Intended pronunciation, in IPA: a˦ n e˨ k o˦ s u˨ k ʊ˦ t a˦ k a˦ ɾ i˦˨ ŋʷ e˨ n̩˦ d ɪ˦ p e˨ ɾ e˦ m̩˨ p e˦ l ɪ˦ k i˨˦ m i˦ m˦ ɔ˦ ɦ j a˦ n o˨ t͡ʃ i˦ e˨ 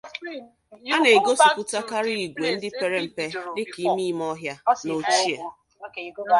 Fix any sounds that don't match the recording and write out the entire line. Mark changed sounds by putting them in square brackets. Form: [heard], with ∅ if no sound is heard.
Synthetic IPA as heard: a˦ n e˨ [ɡ] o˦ s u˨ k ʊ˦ t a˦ k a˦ ɾ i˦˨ [ɡʷ] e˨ n̩˦ d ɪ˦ p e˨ ɾ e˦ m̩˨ p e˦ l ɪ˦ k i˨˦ m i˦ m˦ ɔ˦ ɦ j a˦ n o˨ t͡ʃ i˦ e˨

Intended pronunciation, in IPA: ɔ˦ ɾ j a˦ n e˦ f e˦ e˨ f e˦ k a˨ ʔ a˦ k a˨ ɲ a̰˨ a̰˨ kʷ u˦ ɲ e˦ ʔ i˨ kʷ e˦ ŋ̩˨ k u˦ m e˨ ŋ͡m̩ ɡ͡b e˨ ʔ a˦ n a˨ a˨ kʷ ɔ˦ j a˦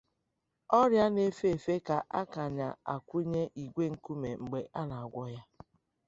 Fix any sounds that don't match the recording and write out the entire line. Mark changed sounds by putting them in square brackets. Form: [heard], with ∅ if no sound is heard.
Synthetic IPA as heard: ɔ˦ ɾ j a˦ n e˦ f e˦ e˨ f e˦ k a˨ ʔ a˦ k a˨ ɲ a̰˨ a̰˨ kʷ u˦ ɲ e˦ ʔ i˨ [ɡʷ] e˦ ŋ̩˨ k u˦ m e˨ ŋ͡m̩ ɡ͡b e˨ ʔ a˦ n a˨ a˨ [ɡʷ] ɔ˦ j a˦

